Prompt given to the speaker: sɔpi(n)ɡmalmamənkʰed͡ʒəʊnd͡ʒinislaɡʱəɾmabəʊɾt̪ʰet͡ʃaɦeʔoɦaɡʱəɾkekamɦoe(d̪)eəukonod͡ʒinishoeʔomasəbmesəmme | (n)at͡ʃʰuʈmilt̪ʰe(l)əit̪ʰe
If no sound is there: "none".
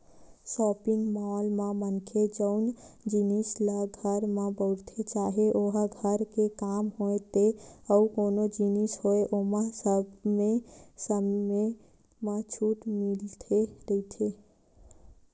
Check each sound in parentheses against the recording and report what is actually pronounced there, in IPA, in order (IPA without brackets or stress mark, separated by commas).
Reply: ŋ, t̪, m, ɾ